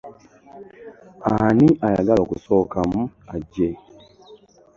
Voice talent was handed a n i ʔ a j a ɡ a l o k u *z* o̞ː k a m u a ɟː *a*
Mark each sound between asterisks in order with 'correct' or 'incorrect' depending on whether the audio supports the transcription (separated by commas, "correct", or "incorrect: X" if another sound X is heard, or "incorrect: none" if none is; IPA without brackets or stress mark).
incorrect: s, incorrect: e